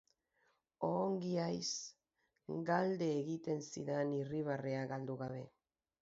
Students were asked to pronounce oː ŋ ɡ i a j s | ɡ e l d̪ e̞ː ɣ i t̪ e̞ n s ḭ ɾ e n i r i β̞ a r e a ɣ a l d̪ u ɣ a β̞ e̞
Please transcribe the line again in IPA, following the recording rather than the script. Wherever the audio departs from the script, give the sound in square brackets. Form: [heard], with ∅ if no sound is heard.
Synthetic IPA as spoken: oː ŋ ɡ i a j s | ɡ [a] l d̪ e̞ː ɣ i t̪ e̞ n s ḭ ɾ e n i r i β̞ a r e a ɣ a l d̪ u ɣ a β̞ e̞